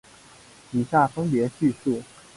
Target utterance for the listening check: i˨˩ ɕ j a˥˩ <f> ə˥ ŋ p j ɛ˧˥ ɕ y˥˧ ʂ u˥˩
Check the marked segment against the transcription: correct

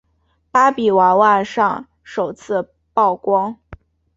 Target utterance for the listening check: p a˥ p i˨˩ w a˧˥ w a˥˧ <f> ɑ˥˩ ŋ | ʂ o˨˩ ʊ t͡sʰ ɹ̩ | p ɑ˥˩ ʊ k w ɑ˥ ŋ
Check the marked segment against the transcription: incorrect: ʂ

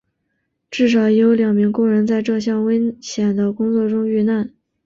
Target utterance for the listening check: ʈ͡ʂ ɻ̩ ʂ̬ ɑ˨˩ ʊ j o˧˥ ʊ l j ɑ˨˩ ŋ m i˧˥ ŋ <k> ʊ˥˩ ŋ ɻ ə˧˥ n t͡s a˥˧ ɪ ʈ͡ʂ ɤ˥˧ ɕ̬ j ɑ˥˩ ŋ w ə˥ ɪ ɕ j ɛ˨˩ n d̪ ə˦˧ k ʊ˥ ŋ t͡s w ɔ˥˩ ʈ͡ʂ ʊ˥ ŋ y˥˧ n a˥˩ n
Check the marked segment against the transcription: correct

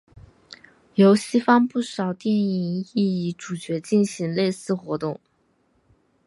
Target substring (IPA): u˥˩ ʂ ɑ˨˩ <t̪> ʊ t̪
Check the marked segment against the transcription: incorrect: none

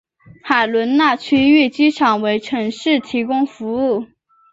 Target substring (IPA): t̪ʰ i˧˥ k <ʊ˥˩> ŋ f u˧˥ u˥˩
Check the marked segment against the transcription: incorrect: ʊ˥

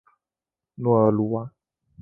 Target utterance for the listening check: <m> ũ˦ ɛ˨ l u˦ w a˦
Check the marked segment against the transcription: incorrect: n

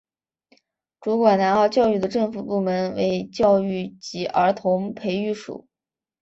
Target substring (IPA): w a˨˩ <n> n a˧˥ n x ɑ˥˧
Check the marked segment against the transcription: correct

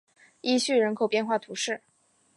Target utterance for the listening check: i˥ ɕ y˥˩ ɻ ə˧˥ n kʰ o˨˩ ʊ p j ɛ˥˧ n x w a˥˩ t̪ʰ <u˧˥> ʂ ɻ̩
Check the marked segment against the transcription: correct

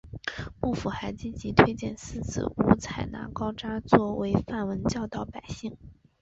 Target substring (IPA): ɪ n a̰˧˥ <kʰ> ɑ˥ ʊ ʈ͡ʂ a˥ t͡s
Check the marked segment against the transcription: incorrect: k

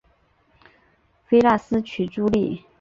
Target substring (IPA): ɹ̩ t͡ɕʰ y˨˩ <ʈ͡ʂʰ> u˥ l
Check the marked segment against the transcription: incorrect: ʈ͡ʂ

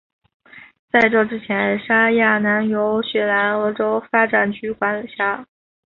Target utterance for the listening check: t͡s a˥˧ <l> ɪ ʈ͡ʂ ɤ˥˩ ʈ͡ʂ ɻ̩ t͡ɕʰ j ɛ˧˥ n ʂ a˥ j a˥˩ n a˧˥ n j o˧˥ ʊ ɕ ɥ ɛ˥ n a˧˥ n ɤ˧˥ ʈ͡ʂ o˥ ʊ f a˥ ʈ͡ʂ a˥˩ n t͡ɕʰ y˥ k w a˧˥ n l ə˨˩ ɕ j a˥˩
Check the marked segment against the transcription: incorrect: none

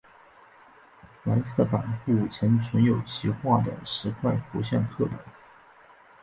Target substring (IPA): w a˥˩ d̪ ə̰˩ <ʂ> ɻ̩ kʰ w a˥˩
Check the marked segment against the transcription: correct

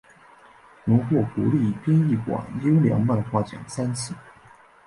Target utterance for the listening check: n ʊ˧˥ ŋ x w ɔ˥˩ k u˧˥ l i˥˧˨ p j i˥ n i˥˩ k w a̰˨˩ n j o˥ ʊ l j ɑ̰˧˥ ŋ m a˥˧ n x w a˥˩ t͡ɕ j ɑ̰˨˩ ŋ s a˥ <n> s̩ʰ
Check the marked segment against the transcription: correct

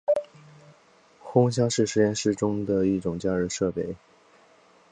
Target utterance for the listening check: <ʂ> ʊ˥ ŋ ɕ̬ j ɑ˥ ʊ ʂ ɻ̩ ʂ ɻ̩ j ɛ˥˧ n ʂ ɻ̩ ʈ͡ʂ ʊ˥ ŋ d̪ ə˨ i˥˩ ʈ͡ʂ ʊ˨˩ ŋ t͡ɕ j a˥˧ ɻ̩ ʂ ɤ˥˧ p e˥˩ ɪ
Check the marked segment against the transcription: incorrect: x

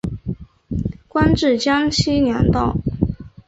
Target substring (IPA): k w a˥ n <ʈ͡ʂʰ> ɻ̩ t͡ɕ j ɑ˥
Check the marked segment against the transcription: incorrect: ʈ͡ʂ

